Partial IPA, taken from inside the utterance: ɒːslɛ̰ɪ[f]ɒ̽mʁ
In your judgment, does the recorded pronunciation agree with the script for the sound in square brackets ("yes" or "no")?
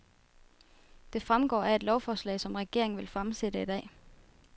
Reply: no